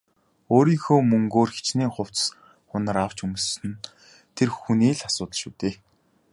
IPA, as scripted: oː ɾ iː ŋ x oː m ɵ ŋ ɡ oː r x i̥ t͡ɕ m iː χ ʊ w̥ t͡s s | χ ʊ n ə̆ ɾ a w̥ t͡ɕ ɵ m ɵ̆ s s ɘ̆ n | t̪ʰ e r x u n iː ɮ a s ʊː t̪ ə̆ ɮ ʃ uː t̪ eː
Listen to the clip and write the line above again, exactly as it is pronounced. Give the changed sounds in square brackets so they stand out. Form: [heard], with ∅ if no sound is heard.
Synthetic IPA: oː ɾ iː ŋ x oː m ɵ ŋ ɡ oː r x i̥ t͡ɕ [n] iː χ ʊ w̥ t͡s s | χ ʊ n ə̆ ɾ a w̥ t͡ɕ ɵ m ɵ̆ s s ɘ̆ n | t̪ʰ e r x u n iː ɮ a s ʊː t̪ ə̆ ɮ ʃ uː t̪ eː